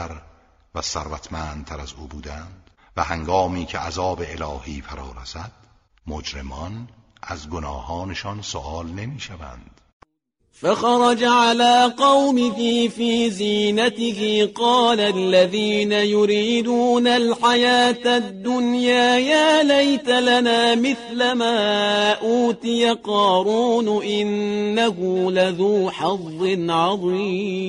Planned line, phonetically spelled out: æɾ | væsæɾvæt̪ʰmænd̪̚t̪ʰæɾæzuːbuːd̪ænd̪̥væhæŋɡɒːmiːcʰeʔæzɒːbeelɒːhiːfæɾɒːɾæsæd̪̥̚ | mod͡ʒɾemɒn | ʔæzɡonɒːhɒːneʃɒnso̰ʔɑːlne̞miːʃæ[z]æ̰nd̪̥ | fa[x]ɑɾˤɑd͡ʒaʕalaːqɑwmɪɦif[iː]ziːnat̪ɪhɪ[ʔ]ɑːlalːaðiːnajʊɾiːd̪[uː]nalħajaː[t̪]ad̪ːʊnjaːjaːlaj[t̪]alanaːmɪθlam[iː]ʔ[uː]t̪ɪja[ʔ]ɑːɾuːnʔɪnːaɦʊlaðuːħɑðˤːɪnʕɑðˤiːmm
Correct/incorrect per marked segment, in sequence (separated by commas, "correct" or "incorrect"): incorrect, correct, correct, incorrect, correct, correct, correct, incorrect, correct, incorrect